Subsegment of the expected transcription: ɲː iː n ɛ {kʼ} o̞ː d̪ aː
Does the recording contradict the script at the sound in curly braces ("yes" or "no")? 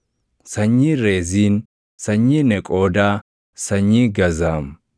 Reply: no